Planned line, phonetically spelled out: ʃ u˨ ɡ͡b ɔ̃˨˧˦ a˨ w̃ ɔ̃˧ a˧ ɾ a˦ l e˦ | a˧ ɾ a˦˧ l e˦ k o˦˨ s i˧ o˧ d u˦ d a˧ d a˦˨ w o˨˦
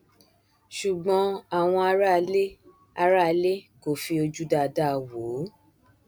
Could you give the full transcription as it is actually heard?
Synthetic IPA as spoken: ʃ u˨ ɡ͡b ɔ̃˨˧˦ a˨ w̃ ɔ̃˧ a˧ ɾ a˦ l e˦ | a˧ ɾ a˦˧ l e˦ k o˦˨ f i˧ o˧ d͡ʒ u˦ d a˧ d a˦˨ w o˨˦